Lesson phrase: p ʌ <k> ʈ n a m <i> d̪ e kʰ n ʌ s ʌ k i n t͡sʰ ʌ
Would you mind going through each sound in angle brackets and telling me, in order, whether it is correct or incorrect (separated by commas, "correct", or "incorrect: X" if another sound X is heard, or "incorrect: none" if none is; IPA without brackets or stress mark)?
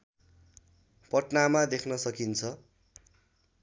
incorrect: none, incorrect: a